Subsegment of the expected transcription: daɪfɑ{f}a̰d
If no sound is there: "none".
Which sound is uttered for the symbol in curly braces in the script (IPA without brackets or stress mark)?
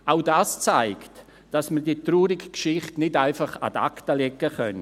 χ